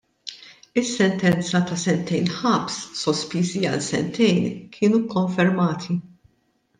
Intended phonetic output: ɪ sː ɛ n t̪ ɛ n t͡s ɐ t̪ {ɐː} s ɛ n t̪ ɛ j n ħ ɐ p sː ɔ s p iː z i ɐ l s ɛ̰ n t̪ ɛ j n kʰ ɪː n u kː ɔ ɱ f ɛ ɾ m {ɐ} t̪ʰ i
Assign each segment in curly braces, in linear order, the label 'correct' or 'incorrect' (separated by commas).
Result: incorrect, incorrect